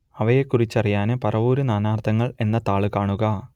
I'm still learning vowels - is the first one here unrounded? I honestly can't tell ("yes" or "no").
yes